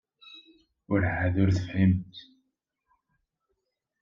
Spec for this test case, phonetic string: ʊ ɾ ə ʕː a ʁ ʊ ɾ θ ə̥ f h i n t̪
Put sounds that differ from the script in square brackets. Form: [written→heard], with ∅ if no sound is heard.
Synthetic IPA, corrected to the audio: ʊ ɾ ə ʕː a [ʁ→ð] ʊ ɾ θ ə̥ f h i [n→m] t̪